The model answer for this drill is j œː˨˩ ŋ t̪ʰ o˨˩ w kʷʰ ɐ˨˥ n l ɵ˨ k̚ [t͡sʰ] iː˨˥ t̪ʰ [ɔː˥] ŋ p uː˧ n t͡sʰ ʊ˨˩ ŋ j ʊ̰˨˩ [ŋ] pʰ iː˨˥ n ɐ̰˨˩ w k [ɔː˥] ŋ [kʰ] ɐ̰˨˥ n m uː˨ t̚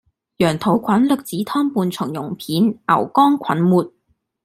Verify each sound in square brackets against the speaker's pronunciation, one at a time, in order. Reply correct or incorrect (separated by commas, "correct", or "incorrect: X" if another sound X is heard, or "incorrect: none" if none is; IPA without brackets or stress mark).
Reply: incorrect: t͡s, correct, correct, correct, correct